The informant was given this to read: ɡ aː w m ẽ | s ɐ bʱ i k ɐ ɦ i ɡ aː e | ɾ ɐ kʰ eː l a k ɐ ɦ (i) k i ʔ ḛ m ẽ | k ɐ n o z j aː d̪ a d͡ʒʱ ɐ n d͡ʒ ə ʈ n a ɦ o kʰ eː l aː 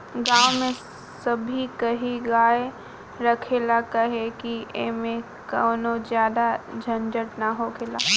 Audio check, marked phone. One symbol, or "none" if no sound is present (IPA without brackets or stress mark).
e